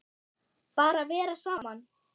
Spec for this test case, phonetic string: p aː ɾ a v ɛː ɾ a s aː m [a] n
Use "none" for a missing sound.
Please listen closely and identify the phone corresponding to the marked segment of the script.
a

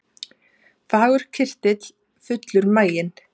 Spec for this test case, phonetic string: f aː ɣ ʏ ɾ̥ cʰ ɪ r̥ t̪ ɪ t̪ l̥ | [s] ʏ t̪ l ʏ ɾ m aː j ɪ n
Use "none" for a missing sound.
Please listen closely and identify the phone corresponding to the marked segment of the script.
f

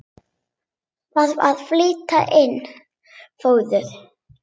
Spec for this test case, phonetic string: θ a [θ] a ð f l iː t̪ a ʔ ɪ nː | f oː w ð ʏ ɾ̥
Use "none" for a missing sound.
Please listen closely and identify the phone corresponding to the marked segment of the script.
ð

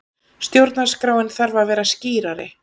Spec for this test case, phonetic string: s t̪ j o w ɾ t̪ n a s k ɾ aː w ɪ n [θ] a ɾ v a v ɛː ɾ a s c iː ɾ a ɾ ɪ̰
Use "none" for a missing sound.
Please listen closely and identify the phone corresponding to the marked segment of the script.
θ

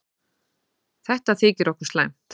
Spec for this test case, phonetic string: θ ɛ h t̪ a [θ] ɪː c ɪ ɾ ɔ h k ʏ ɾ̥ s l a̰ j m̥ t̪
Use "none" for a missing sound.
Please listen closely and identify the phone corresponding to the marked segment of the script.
θ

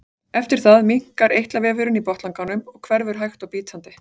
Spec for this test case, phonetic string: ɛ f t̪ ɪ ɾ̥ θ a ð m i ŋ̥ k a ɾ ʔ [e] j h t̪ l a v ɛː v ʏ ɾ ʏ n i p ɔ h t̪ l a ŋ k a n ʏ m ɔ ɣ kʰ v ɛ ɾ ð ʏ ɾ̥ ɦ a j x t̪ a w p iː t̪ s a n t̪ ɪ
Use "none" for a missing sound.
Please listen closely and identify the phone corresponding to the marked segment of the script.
e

